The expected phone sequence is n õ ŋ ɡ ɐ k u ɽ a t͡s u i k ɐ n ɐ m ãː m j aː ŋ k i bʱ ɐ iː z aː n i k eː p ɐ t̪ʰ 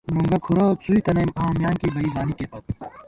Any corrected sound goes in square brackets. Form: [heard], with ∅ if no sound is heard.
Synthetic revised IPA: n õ ŋ ɡ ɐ [kʰ] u [ɾ] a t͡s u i k ɐ n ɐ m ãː m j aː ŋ k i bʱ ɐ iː z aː n i k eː p ɐ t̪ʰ

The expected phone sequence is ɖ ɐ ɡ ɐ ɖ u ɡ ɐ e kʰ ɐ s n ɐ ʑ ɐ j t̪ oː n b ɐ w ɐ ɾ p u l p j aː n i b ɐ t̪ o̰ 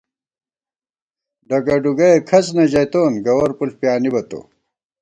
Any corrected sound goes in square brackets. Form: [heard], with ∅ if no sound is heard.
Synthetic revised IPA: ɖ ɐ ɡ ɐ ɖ u ɡ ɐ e kʰ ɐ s n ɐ ʑ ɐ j t̪ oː n [ɡ] ɐ w ɐ ɾ p u l p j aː n i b ɐ t̪ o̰

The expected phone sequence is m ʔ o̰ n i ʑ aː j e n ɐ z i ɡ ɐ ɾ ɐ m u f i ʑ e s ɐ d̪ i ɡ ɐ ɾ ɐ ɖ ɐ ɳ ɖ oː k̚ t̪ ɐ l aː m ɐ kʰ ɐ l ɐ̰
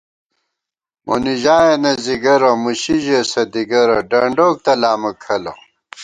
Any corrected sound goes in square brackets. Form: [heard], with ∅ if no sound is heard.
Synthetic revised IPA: m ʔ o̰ n i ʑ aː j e n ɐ z i ɡ ɐ ɾ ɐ m u [ɕ] i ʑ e s ɐ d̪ i ɡ ɐ ɾ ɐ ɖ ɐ ɳ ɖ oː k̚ t̪ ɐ l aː m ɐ kʰ ɐ l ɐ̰

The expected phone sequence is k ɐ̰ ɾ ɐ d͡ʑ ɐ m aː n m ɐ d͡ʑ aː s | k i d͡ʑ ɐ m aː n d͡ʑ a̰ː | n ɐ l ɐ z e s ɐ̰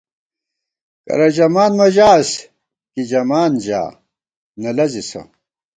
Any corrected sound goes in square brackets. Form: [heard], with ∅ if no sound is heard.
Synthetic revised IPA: k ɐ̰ ɾ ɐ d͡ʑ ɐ m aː n m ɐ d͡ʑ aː s | k i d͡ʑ ɐ m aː n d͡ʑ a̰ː | n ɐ l ɐ z [i] s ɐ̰

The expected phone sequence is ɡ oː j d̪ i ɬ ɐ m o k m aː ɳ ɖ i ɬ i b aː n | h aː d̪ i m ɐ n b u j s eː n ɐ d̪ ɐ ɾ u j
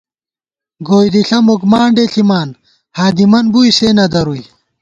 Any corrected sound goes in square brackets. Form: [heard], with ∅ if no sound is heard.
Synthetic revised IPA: ɡ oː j d̪ i ɬ ɐ m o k m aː ɳ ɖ [e] ɬ i [m] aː n | h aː d̪ i m ɐ n b u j s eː n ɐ d̪ ɐ ɾ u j

